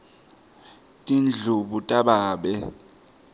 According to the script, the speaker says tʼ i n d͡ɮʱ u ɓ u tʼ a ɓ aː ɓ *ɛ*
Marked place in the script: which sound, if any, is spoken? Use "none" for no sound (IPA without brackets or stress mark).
ɛ